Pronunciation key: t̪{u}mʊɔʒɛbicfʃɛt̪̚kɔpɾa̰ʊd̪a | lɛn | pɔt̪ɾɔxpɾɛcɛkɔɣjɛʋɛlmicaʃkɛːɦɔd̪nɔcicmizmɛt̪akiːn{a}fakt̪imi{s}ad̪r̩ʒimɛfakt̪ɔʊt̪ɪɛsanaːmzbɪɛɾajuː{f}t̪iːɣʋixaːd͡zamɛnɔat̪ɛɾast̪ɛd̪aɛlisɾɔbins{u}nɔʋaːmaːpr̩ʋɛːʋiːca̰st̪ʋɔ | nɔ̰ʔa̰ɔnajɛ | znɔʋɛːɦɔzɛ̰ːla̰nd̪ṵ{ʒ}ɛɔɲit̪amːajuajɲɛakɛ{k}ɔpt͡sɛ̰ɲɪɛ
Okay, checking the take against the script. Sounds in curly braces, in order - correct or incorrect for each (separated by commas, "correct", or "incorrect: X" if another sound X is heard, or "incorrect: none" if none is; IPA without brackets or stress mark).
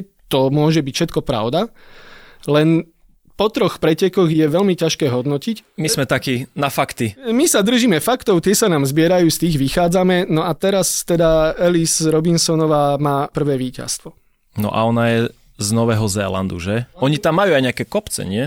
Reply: incorrect: ɔ, correct, correct, incorrect: s, incorrect: ɔ, correct, correct